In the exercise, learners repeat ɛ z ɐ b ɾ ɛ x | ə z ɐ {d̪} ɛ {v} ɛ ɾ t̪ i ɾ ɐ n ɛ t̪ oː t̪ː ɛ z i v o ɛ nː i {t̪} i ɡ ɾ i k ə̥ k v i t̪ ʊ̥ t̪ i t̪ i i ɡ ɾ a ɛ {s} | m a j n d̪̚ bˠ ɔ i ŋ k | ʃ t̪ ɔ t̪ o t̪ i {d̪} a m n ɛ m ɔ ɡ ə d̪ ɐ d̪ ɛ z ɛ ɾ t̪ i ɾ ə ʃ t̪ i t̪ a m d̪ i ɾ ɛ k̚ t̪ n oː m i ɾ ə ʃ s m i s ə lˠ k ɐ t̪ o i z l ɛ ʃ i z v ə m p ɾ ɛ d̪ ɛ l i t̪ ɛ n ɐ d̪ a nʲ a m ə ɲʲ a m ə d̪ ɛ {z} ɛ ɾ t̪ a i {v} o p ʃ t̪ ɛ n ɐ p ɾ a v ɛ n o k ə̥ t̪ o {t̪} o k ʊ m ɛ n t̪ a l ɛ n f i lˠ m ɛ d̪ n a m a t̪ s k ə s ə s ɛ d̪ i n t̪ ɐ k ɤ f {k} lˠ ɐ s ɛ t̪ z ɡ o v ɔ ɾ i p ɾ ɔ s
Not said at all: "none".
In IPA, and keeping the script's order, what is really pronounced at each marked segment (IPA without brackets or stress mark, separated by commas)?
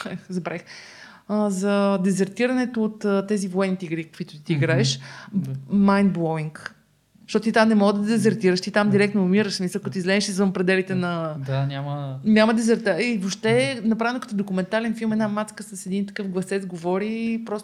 d̪, z, t̪, ʃ, t̪, z, v, d̪, ɡ